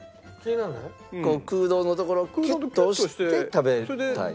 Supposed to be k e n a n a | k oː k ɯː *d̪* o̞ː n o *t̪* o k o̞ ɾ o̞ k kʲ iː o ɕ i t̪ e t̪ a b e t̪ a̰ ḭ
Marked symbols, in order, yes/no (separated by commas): yes, yes